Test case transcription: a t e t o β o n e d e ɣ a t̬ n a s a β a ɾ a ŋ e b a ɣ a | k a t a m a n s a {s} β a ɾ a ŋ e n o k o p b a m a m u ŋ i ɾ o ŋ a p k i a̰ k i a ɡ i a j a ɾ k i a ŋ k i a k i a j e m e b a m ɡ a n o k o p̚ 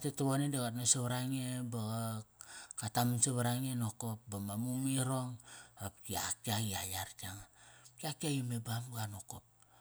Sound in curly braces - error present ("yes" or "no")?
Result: yes